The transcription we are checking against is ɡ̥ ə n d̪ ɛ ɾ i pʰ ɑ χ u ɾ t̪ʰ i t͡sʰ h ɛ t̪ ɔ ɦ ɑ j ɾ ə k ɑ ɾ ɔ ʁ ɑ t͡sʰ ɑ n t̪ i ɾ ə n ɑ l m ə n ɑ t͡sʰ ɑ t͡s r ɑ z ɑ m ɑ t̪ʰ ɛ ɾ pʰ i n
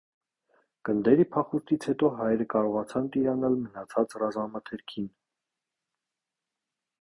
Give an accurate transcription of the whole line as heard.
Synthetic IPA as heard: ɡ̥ ə n d̪ ɛ ɾ i pʰ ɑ χ u ɾ t̪ʰ i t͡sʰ h ɛ t̪ ɔ ɦ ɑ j ɾ ə k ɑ ɾ ɔ ʁ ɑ t͡sʰ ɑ n t̪ i ɾ ɑ n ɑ l m ə n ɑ t͡sʰ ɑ t͡s r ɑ z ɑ m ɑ t̪ʰ ɛ ɾ kʰ i n